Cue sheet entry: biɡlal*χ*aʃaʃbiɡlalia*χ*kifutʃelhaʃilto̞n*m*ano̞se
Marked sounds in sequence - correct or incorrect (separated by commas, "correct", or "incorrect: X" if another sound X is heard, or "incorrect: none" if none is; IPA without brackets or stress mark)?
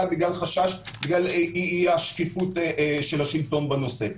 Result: correct, incorrect: ʃ, incorrect: b